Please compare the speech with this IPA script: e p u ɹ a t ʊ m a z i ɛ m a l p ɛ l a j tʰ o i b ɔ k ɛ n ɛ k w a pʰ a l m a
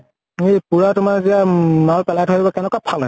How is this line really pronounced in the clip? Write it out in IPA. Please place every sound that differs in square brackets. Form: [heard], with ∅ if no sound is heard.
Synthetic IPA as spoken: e p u ɹ a t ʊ m a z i [a] m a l p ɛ l a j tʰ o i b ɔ k ɛ n ɛ k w a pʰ a l [n] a